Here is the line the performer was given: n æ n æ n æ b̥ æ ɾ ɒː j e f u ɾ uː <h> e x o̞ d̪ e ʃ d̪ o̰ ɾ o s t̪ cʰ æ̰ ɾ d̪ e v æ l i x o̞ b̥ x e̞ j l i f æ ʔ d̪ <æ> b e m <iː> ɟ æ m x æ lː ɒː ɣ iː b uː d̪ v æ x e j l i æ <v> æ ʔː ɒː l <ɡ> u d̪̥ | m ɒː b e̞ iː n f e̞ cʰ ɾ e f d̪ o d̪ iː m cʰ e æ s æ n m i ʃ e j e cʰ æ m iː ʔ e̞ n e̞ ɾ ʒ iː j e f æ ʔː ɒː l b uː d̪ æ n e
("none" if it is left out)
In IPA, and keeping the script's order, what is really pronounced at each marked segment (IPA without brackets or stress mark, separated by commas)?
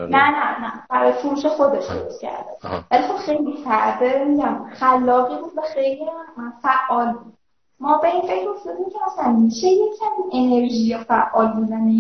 ʃ, e, i, f, b